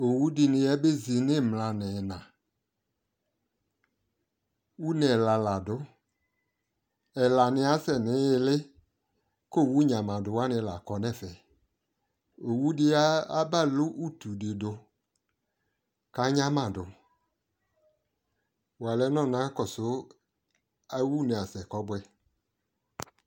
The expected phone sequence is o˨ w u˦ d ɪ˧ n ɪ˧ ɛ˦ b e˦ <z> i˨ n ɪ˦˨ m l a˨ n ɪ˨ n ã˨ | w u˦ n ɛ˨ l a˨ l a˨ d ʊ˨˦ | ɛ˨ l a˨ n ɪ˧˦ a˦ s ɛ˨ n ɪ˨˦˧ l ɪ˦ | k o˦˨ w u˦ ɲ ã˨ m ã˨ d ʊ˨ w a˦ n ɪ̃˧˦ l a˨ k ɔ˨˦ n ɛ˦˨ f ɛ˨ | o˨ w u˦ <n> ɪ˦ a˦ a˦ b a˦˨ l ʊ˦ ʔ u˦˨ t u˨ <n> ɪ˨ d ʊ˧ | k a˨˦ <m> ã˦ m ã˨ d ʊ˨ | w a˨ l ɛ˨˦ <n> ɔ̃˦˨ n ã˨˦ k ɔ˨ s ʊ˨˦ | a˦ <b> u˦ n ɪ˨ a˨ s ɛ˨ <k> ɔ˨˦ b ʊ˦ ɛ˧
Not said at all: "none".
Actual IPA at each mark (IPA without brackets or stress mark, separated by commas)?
z, d, d, ɲ, n, w, k